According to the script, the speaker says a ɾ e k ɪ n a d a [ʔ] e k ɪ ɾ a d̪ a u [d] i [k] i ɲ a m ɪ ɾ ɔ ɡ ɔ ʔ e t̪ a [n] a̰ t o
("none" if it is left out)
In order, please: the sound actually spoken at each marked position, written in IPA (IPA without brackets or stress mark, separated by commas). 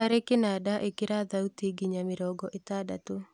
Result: ʔ, t, ɡ, d